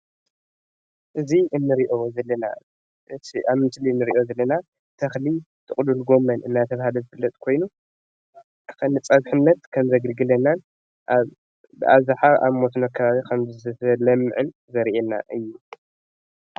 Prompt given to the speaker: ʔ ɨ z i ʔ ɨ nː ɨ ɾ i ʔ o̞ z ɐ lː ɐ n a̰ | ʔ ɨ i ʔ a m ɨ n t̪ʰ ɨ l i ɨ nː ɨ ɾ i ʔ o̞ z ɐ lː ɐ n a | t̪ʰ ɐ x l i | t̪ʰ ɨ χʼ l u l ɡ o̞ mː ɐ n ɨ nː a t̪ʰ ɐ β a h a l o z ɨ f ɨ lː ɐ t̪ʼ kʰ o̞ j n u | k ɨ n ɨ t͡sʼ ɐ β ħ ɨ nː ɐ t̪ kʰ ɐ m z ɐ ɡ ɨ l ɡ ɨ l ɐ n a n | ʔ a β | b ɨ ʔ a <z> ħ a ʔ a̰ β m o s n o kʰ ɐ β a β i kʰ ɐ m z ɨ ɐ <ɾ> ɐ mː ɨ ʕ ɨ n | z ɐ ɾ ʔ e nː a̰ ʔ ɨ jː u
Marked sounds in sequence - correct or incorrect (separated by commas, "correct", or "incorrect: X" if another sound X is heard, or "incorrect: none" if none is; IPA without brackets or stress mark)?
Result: correct, incorrect: l